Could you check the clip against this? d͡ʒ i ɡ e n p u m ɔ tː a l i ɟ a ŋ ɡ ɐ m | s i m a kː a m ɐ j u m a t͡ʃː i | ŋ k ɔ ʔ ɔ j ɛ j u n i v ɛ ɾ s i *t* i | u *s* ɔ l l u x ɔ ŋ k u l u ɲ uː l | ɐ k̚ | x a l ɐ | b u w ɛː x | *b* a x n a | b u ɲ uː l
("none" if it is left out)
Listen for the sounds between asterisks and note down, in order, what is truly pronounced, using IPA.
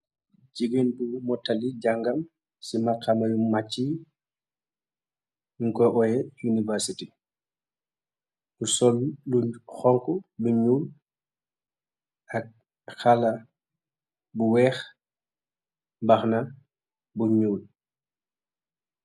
t, s, b

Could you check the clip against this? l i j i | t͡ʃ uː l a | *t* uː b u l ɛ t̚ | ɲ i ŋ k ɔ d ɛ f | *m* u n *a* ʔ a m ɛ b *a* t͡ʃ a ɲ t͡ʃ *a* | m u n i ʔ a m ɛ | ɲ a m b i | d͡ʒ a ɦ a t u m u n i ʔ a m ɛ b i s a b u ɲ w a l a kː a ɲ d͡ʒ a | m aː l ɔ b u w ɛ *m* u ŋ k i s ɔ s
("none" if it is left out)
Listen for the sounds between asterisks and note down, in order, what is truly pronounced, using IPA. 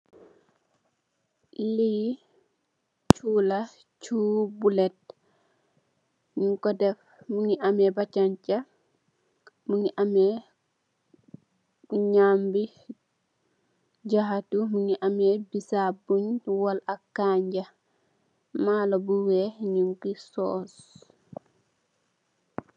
t͡ʃ, m, i, a, a, ɲ

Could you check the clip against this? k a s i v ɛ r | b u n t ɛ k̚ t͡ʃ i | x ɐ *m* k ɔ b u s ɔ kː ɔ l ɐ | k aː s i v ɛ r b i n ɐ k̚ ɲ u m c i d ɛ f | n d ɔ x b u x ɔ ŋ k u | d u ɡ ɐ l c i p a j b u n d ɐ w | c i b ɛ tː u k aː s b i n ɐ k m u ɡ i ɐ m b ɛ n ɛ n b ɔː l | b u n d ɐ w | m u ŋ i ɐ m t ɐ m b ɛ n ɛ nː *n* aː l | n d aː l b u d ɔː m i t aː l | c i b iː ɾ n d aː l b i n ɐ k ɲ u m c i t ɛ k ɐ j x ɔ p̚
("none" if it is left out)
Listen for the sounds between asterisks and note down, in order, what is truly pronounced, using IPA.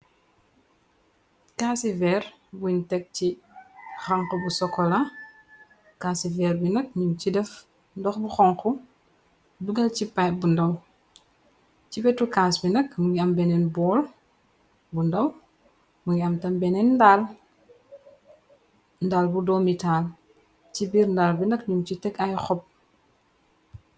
ŋ, d

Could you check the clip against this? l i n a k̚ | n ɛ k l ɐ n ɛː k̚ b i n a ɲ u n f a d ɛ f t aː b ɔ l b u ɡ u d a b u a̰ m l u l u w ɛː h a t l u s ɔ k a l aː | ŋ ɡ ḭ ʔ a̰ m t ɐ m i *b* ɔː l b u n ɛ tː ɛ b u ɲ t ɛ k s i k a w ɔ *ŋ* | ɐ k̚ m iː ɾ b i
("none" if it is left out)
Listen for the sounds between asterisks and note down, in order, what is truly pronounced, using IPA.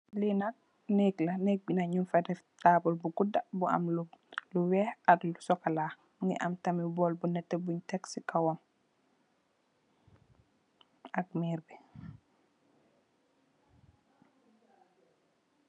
b, m

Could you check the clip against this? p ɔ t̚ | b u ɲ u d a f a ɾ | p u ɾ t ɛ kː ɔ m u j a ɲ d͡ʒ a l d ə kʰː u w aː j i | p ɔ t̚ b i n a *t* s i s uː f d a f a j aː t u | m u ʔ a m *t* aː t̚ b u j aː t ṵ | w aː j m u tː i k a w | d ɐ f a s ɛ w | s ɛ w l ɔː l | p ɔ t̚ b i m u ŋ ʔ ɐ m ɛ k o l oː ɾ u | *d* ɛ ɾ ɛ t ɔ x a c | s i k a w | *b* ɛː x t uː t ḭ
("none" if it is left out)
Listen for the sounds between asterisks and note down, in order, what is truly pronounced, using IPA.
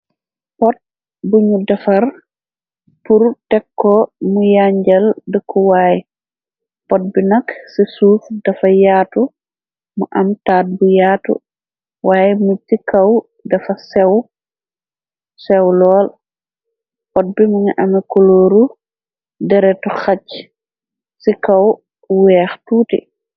k, t, d, w

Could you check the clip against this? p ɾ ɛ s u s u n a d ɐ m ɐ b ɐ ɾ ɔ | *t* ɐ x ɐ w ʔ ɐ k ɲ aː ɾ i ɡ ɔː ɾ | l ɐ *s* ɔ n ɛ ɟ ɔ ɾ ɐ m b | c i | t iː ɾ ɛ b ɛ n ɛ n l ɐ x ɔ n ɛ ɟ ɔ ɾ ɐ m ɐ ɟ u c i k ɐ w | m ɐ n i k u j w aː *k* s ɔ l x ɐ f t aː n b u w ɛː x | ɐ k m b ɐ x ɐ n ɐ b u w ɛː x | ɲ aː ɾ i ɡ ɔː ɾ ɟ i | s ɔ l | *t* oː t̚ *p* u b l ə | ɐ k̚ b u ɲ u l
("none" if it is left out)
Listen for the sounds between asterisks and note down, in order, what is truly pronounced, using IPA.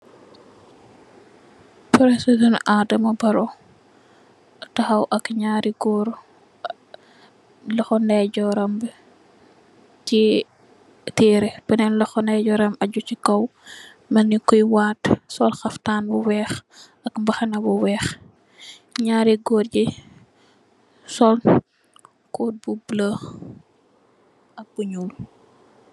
t, x, t, k, b

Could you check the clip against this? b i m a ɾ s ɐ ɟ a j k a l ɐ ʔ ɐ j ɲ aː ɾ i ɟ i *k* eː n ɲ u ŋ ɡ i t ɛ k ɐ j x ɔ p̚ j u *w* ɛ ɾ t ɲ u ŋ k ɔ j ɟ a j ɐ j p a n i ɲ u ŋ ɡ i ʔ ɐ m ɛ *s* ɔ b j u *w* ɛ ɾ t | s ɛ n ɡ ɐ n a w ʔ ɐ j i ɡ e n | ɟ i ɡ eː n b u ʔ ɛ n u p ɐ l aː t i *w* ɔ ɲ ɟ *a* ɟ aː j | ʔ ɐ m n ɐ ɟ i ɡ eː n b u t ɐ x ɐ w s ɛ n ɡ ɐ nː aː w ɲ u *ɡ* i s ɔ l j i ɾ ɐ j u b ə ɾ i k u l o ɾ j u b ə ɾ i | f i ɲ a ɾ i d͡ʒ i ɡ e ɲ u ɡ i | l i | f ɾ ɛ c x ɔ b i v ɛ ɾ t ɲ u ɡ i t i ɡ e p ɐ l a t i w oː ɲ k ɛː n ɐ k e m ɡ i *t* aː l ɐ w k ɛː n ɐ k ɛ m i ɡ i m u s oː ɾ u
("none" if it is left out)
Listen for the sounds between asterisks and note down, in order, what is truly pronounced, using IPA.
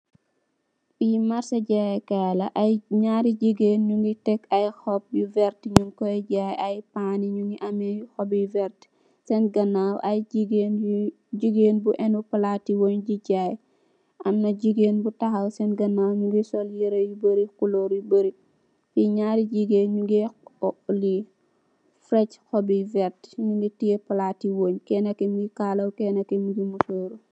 ɡ, v, x, v, w, i, ɡ, k

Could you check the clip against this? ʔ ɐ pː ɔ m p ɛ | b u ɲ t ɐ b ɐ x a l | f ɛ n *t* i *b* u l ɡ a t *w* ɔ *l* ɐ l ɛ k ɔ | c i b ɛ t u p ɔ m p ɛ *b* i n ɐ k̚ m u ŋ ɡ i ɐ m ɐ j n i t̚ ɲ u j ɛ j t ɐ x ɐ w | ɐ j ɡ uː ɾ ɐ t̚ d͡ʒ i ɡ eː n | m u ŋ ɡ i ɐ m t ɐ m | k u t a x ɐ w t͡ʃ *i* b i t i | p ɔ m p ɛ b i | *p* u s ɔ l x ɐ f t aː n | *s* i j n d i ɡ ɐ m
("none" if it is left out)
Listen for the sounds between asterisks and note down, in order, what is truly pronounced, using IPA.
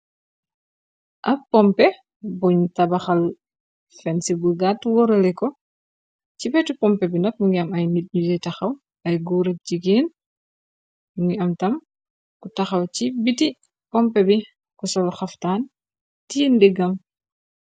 s, b, w, ɾ, b, i, k, t

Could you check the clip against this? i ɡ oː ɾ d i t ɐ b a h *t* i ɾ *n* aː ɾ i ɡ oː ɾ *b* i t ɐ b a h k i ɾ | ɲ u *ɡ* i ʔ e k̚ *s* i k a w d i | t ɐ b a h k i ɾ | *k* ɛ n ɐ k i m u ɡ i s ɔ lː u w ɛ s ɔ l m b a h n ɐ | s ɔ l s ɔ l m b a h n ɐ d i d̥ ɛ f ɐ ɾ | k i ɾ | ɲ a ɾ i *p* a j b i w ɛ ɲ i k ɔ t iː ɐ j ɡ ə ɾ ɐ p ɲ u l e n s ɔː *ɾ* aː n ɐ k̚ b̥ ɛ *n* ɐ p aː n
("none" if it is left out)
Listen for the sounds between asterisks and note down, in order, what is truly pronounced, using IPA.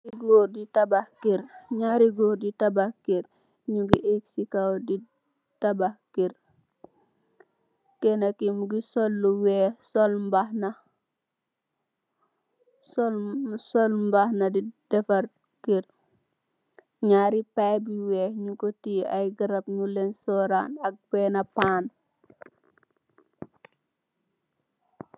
k, ɲ, d, ɡ, s, k, p, ɾ, n

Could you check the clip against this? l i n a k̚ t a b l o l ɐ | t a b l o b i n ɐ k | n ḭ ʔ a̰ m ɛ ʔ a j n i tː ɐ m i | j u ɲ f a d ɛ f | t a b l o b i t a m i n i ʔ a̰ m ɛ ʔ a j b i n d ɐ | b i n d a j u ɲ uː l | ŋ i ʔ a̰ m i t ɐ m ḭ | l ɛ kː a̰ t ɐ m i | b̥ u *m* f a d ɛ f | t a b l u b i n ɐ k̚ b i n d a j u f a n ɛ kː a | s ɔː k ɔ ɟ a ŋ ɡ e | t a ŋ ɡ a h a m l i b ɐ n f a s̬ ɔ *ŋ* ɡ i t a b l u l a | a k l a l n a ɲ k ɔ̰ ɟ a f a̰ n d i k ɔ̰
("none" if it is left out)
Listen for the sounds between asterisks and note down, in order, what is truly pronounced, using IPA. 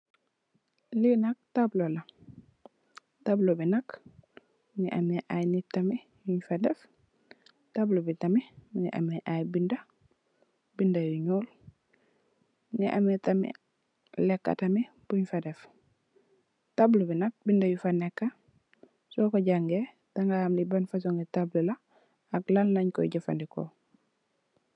ɲ, ŋ

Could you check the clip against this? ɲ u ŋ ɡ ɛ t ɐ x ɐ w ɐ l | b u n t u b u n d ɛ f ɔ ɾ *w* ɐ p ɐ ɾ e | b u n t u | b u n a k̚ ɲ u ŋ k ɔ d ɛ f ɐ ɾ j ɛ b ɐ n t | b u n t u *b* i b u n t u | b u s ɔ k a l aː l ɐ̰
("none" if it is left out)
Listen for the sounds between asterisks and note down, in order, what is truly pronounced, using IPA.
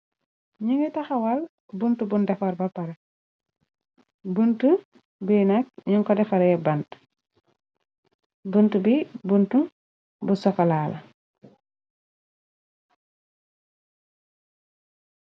b, b

